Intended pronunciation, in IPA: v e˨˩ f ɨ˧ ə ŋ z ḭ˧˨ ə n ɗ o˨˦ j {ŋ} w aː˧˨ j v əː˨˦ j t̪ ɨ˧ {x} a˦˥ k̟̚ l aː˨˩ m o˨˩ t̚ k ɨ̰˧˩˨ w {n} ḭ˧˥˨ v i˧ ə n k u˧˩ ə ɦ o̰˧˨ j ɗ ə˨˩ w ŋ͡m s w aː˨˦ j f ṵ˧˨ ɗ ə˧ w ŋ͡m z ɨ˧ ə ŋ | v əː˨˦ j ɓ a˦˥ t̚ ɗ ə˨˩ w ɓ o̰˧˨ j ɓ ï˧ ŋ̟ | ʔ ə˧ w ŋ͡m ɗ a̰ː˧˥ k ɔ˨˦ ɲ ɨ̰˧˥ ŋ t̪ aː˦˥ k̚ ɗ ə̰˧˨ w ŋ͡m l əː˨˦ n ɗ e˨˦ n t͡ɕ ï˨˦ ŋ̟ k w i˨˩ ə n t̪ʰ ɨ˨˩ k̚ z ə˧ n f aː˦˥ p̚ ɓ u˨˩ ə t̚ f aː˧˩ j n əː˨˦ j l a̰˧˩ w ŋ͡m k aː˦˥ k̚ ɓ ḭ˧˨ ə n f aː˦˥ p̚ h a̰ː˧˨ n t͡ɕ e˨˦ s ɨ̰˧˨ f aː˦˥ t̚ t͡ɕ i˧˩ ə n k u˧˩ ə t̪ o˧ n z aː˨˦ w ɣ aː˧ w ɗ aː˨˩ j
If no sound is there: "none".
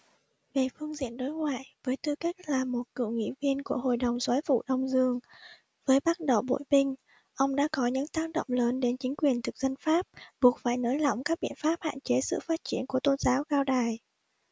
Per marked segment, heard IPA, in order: ŋ, k, ŋ

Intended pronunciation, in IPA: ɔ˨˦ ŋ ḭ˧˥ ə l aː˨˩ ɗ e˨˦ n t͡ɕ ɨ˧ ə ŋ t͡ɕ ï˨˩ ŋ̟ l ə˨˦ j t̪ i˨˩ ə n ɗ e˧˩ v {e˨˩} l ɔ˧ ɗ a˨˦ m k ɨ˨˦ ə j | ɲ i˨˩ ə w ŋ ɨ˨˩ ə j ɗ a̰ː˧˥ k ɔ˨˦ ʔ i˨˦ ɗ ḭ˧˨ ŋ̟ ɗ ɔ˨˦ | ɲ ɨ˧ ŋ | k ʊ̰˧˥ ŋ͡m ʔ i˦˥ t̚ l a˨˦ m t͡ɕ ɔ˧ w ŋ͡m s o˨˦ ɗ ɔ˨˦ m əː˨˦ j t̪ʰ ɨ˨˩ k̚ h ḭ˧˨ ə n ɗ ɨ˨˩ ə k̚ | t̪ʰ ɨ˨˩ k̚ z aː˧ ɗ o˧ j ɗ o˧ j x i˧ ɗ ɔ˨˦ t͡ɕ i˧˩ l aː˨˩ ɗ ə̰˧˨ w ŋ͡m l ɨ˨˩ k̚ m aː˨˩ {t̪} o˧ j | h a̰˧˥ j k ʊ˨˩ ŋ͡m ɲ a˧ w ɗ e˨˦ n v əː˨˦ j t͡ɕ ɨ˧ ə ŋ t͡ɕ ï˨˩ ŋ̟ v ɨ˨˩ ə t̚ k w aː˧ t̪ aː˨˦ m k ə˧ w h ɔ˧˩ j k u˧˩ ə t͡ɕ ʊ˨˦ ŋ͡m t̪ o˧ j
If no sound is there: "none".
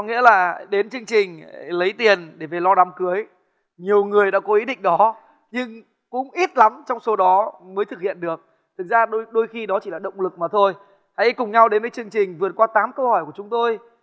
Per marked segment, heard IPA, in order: e˨˩, t̪ʰ

